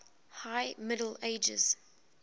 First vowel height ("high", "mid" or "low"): low